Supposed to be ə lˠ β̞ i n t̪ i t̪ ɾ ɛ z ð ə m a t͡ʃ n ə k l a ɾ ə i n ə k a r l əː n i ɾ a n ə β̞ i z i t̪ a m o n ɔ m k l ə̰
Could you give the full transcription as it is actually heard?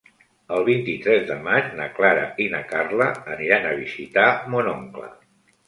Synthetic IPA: ə lˠ β̞ i n t̪ i t̪ ɾ ɛ z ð ə m a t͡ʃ n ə k l a ɾ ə i n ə k a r l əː n i ɾ a n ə β̞ i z i t̪ a m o n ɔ ŋ k l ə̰